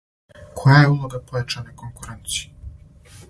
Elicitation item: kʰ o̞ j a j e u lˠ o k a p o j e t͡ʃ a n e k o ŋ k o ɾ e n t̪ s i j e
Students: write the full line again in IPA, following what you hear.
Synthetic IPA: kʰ o̞ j a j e u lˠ o ɡ a p o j a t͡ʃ a n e k o ŋ k u ɾ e n t̪ s i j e